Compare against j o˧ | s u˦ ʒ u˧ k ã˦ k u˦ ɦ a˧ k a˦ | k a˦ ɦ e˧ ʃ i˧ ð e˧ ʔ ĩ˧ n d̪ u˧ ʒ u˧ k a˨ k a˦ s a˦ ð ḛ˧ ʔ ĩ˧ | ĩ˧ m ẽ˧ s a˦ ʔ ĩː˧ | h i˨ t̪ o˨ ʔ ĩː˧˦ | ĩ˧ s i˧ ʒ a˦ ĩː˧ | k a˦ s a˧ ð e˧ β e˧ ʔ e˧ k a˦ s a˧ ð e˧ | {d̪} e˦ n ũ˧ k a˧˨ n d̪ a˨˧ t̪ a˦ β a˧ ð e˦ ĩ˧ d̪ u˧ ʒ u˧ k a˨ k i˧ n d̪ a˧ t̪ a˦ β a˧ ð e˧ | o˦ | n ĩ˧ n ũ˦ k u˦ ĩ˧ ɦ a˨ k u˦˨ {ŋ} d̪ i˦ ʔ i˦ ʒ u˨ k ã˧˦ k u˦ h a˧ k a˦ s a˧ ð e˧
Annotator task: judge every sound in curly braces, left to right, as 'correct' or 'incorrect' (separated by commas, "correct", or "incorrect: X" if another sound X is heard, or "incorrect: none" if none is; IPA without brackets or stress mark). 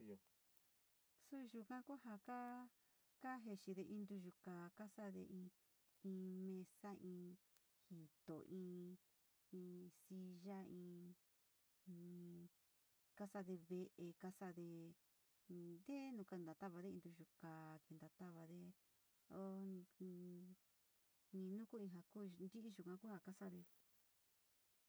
correct, incorrect: n